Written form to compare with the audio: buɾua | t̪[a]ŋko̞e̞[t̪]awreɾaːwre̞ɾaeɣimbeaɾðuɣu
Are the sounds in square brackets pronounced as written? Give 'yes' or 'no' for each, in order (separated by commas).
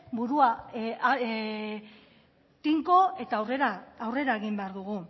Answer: no, yes